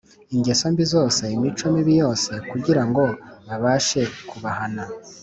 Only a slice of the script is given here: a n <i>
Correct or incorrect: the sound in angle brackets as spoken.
incorrect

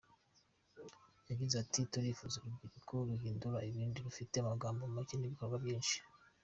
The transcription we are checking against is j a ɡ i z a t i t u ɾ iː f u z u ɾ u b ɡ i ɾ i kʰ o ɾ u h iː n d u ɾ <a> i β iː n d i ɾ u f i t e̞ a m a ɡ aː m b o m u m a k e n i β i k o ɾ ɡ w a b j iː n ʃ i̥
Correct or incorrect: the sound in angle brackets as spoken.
correct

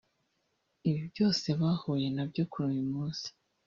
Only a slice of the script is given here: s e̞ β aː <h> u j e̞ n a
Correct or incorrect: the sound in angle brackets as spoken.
correct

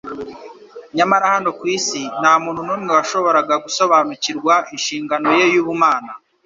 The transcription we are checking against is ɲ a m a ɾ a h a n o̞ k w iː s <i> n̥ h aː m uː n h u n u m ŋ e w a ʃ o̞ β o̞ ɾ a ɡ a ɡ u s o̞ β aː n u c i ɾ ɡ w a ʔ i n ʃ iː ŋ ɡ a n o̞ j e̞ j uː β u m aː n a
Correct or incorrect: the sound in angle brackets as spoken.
correct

